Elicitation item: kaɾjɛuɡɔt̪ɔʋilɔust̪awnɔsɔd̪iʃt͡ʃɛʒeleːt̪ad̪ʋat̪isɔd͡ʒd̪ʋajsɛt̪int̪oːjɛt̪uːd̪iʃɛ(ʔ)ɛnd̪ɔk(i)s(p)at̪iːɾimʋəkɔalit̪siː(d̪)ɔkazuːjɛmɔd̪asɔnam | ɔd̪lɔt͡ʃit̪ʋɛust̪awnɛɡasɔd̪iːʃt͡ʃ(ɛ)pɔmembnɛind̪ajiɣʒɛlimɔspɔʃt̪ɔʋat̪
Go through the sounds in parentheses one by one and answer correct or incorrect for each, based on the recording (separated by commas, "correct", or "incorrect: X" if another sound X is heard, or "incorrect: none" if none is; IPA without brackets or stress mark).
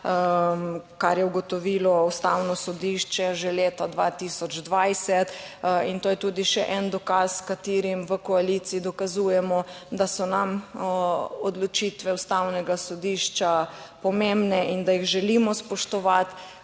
correct, incorrect: a, incorrect: k, correct, incorrect: a